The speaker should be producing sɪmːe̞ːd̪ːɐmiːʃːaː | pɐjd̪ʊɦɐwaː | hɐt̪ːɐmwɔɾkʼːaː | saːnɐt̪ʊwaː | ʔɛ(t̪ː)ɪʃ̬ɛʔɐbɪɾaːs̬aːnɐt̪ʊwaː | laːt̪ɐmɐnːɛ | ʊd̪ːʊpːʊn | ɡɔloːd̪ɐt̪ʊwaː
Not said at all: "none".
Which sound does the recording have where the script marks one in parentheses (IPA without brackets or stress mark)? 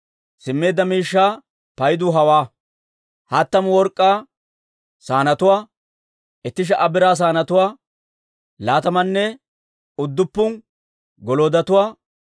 t̪ː